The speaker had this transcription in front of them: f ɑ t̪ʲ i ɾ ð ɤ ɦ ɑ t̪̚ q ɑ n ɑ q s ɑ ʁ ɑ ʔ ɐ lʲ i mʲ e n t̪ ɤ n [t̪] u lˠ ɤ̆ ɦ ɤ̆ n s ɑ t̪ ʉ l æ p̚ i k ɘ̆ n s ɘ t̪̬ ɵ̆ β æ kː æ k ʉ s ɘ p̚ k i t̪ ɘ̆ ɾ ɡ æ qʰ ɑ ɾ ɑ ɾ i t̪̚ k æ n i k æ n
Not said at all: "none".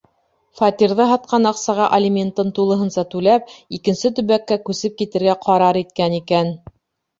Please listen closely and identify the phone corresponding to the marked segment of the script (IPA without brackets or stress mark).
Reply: t̪